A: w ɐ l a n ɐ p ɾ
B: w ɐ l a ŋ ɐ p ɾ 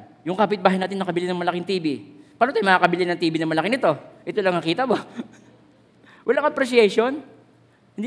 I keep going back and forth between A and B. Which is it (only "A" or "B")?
B